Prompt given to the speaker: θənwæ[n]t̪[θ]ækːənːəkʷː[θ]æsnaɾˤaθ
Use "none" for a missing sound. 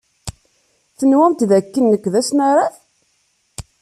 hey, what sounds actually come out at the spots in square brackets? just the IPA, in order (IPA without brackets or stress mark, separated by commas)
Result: m, ð, ð